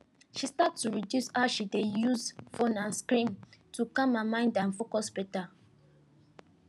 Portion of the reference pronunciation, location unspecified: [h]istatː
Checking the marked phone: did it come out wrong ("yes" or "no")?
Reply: yes